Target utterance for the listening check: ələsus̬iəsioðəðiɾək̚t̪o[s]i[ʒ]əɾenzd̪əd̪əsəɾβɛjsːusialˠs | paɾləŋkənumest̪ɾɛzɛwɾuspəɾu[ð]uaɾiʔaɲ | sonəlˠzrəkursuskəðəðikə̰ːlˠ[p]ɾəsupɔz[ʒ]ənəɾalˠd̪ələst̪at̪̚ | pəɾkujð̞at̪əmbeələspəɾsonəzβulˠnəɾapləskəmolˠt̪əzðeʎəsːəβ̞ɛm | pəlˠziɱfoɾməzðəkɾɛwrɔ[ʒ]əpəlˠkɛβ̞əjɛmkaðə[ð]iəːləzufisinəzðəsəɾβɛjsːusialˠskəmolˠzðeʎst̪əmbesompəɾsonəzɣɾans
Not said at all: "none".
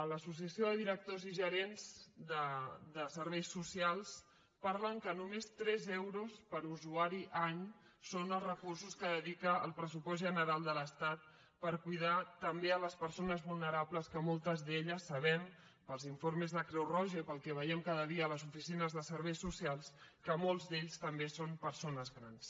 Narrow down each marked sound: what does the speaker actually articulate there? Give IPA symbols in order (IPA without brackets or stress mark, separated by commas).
z, ʒ, z, p, ʒ, ʒ, ð